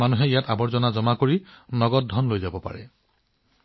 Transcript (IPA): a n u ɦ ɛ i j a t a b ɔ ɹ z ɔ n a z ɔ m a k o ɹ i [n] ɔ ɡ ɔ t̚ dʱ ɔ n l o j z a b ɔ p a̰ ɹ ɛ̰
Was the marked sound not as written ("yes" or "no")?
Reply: no